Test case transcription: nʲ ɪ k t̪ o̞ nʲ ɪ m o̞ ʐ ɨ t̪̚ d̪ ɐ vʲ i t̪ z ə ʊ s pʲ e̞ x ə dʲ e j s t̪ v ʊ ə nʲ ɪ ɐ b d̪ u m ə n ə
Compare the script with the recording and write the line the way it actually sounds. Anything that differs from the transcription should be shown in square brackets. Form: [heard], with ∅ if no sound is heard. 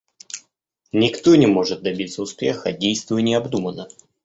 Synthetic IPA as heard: nʲ ɪ k t̪ o̞ nʲ ɪ m o̞ ʐ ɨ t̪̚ d̪ ɐ [bʲ] i t̪ [s] ə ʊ s pʲ e̞ x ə dʲ e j s t̪ v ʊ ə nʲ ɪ ɐ b d̪ u m ə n ə

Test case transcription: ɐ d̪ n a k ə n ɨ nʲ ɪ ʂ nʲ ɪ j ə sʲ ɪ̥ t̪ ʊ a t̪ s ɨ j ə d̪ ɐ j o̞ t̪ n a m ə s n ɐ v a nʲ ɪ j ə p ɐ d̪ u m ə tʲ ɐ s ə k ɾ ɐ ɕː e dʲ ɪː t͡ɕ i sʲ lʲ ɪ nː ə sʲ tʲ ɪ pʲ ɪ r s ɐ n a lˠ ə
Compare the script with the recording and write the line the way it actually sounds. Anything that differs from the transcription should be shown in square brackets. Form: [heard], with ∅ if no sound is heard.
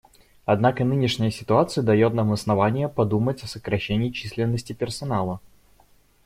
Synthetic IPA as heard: ɐ d̪ n a k ə n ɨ nʲ ɪ ʂ nʲ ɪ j ə sʲ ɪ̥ t̪ ʊ a t̪ s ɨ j ə d̪ ɐ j o̞ t̪ n a m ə s n ɐ v a nʲ ɪ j ə p ɐ d̪ u m ə tʲ ɐ s ə k ɾ ɐ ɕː e [nʲ] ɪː t͡ɕ i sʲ lʲ ɪ nː ə sʲ tʲ ɪ pʲ ɪ r s ɐ n a lˠ ə

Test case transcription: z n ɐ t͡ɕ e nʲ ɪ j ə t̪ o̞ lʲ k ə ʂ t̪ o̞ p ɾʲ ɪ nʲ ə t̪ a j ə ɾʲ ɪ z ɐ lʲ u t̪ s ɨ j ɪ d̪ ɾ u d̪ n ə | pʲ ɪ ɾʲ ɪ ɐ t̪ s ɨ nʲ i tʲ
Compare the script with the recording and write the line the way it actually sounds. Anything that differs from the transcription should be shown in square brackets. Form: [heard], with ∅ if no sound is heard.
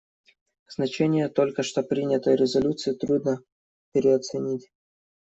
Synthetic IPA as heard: z n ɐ t͡ɕ e nʲ ɪ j ə t̪ o̞ lʲ k ə ʂ t̪ o̞ p ɾʲ [i] nʲ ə t̪ [ə] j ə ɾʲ ɪ z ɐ lʲ u t̪ s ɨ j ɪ [t̪] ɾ u d̪ n ə | pʲ ɪ ɾʲ ɪ ɐ t̪ s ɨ nʲ i tʲ

